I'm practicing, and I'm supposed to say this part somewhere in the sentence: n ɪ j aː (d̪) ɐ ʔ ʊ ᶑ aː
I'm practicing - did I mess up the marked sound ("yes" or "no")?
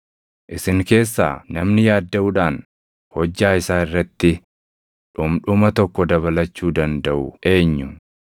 yes